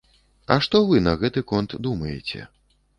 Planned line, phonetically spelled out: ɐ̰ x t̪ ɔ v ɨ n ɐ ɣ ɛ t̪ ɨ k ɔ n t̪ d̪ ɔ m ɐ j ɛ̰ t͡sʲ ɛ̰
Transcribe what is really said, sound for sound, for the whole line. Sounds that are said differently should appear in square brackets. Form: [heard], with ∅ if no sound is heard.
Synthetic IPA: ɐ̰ [ʂ] t̪ ɔ v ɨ n ɐ ɣ ɛ t̪ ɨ k ɔ n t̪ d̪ [u] m ɐ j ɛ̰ t͡sʲ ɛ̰

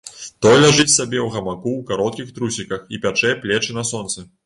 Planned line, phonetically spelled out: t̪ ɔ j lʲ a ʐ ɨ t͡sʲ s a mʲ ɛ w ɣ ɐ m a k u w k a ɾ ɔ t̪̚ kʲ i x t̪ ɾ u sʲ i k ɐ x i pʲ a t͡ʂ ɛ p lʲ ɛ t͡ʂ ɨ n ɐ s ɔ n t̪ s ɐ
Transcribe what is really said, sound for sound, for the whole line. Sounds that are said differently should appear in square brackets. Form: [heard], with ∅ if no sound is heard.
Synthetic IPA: t̪ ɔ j lʲ a ʐ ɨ t͡sʲ s a [bʲ] ɛ w ɣ ɐ m a k u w k a ɾ ɔ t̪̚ kʲ i x t̪ ɾ u sʲ i k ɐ x i pʲ a t͡ʂ ɛ p lʲ ɛ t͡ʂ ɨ n ɐ s ɔ n t̪ s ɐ

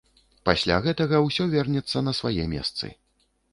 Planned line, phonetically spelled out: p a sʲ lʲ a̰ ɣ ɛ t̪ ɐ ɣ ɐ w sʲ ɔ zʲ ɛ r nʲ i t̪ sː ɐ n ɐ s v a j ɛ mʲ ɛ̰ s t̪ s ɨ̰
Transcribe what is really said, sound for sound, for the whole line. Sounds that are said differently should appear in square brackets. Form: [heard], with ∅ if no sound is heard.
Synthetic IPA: p a sʲ lʲ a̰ ɣ ɛ t̪ ɐ ɣ ɐ w sʲ ɔ [vʲ] ɛ r nʲ [ɛ] t̪ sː ɐ n ɐ s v a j ɛ mʲ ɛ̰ s t̪ s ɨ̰

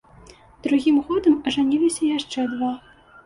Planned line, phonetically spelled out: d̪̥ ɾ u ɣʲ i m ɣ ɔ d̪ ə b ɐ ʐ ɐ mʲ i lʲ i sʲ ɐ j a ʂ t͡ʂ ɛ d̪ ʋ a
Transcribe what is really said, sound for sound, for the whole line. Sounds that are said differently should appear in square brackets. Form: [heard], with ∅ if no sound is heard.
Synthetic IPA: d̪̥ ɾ u ɣʲ i m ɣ ɔ d̪ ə [m] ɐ ʐ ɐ [nʲ] i lʲ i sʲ ɐ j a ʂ t͡ʂ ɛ d̪ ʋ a

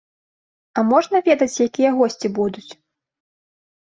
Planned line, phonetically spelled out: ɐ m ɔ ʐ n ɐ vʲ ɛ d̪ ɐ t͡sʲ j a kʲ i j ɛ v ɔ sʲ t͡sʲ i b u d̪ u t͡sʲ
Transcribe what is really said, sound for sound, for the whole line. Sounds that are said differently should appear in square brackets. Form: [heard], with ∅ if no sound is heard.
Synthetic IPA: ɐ m ɔ ʐ n ɐ vʲ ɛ d̪ ɐ t͡sʲ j a kʲ i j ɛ [ɣ] ɔ sʲ t͡sʲ i b u d̪ u t͡sʲ

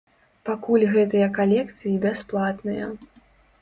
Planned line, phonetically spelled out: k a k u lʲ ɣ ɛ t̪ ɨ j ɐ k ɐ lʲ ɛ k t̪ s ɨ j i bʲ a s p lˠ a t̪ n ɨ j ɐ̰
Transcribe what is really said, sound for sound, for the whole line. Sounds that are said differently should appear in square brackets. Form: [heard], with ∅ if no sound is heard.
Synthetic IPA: [p] a k u lʲ ɣ ɛ t̪ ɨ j ɐ k [a] lʲ ɛ k t̪ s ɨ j i bʲ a s p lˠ a t̪ n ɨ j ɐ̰

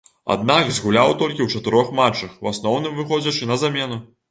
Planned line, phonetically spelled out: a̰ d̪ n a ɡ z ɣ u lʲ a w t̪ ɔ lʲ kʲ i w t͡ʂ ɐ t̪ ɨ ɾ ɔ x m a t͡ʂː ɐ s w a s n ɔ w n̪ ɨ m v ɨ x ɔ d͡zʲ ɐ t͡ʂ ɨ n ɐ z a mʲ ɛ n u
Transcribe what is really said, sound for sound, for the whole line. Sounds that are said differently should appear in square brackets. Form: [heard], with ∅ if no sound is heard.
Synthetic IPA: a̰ d̪ n a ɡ z ɣ u lʲ a w t̪ ɔ lʲ kʲ i w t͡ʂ ɐ t̪ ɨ ɾ ɔ x m a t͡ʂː ɐ [x] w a s n ɔ w n̪ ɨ m v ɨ x ɔ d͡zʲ ɐ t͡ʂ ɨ n ɐ z a mʲ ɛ n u

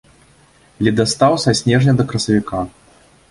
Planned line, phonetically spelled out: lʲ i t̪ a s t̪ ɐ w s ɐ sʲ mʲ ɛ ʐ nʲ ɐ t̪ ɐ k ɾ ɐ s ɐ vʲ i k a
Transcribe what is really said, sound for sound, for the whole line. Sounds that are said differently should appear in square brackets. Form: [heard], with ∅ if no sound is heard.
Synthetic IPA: lʲ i [d̪] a s t̪ [a] w s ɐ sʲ [nʲ] ɛ ʐ nʲ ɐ [d̪] ɐ k ɾ ɐ s ɐ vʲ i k a

